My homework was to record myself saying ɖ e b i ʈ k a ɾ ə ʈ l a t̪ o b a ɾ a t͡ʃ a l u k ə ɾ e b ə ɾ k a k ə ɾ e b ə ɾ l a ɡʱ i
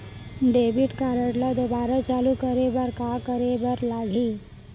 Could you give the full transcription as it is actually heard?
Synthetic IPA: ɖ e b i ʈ k a ɾ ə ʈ l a d̪ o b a ɾ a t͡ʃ a l u k ə ɾ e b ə ɾ k a k ə ɾ e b ə ɾ l a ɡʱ i